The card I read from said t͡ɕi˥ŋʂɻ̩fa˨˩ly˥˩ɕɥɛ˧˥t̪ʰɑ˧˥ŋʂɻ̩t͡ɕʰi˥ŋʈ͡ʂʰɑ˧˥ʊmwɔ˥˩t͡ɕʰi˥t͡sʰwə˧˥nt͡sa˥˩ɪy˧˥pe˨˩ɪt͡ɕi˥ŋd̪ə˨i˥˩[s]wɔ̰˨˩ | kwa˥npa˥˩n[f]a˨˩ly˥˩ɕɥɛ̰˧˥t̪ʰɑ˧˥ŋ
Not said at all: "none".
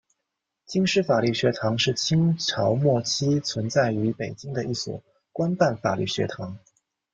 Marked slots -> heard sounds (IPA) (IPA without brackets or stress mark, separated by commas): s, f